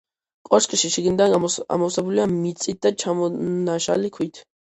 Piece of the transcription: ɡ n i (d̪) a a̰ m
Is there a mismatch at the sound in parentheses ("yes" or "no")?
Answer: no